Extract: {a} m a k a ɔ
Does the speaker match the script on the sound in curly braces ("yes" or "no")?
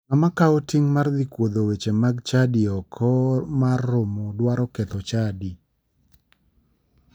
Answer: yes